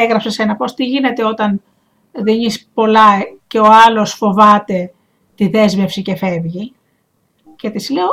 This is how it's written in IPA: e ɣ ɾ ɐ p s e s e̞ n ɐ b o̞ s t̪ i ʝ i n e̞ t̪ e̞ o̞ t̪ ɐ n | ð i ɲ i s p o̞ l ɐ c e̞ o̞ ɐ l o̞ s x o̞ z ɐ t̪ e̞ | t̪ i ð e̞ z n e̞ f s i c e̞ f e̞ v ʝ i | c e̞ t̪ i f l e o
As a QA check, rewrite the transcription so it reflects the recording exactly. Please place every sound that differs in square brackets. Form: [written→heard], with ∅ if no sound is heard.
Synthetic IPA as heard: e ɣ ɾ ɐ p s e s e̞ n ɐ [b→p] o̞ s t̪ i ʝ i n e̞ t̪ e̞ o̞ t̪ ɐ n | ð i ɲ i s p o̞ l ɐ c e̞ o̞ ɐ l o̞ s [x→f] o̞ [z→v] ɐ t̪ e̞ | t̪ i ð e̞ z [n→m] e̞ f s i c e̞ f e̞ v ʝ i | c e̞ t̪ i [f→s] l e o